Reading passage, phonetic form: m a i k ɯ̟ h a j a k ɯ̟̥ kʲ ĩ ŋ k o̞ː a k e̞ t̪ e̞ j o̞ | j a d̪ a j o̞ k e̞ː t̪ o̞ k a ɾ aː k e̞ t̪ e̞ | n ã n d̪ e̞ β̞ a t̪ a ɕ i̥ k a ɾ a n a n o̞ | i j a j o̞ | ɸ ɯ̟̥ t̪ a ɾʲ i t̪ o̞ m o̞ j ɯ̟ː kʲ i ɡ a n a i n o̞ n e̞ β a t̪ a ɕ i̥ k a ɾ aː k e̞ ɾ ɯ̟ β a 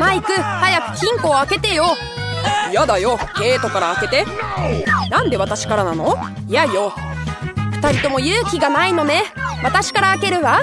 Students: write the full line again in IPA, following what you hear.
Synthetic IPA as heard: m a i k ɯ̟ h a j a k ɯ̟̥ kʲ ĩ ŋ k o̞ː a k e̞ t̪ e̞ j o̞ | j a d̪ a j o̞ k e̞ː t̪ o̞ k a ɾ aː k e̞ t̪ e̞ | n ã n d̪ e̞ β̞ a t̪ a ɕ i̥ k a ɾ a n a n o̞ | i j a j o̞ | ɸ ɯ̟̥ t̪ a ɾʲ i t̪ o̞ m o̞ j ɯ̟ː kʲ i ɡ a n a i n o̞ n e̞ β a t̪ a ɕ i̥ k a ɾ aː k e̞ ɾ ɯ̟ β a